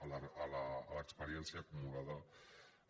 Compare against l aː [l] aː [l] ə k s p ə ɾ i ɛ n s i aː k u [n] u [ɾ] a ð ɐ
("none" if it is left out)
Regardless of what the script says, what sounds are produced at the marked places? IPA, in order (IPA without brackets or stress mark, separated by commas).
l, l, m, l